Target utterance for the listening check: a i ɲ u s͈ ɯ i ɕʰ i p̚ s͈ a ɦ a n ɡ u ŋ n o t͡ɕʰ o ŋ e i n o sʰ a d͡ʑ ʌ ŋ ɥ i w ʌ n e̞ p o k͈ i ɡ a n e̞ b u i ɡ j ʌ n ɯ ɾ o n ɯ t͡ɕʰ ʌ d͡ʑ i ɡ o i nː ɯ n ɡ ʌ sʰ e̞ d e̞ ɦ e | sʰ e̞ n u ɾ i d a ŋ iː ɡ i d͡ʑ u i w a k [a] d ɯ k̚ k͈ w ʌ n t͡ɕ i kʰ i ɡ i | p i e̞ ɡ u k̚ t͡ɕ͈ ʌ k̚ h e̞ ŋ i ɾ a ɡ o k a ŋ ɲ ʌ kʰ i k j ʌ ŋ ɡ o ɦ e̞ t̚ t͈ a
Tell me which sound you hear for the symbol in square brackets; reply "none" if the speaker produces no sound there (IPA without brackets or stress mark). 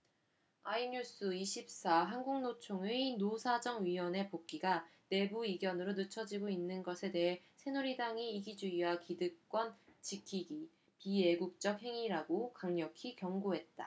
i